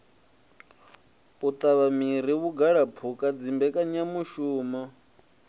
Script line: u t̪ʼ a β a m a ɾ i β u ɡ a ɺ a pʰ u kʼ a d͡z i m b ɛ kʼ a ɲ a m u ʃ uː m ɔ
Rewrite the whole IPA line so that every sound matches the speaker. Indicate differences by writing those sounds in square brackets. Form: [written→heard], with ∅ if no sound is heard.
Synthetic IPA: u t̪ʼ a β a m [a→i] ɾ i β u ɡ a ɺ a pʰ u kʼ a d͡z i m b ɛ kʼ a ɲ a m u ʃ uː m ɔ